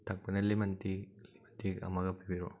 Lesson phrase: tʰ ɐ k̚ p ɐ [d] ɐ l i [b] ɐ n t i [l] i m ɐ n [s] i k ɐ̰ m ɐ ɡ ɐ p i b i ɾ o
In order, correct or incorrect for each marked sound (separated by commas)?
incorrect, incorrect, correct, incorrect